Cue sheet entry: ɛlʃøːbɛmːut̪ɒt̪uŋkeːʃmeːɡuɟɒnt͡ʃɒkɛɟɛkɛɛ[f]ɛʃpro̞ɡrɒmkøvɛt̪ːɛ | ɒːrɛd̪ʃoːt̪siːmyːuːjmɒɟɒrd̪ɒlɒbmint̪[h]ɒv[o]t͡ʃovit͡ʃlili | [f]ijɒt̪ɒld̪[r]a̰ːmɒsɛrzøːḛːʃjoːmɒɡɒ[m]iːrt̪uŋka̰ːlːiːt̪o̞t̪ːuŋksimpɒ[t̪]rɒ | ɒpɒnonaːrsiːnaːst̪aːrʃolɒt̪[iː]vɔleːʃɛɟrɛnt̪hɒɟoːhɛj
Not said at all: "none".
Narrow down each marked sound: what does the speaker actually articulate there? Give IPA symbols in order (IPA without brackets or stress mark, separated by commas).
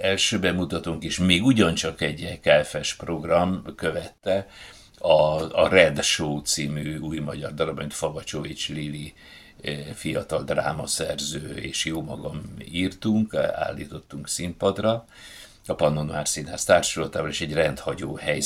f, f, ɒ, f, r, m, d̪, aː